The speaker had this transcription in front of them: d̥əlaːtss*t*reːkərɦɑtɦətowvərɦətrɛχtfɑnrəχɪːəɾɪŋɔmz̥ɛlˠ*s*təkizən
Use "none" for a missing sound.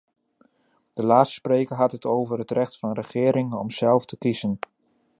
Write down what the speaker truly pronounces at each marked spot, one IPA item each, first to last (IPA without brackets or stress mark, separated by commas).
p, f